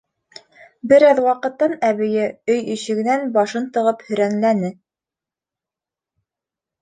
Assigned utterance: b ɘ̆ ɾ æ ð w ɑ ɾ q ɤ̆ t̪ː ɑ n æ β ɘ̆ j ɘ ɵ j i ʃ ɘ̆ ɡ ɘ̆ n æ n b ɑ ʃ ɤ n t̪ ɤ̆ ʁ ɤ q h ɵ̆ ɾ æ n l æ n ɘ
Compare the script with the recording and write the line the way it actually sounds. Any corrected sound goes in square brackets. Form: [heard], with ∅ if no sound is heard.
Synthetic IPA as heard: b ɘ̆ ɾ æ ð w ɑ [∅] q ɤ̆ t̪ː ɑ n æ β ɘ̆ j ɘ ɵ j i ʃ ɘ̆ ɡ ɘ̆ n æ n b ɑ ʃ ɤ n t̪ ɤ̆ ʁ ɤ [p] h ɵ̆ ɾ æ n l æ n ɘ